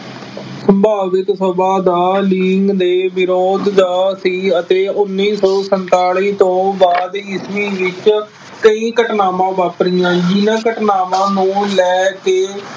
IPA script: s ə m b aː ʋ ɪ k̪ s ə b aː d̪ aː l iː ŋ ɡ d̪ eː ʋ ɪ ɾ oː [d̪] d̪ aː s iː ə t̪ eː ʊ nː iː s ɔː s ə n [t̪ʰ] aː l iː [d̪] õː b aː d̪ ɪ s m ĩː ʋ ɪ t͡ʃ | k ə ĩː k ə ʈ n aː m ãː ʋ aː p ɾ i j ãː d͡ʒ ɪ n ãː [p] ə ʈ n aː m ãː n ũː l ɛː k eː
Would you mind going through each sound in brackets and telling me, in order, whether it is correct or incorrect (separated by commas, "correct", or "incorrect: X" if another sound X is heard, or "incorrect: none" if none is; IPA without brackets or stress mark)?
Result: correct, incorrect: t̪, incorrect: t̪, incorrect: k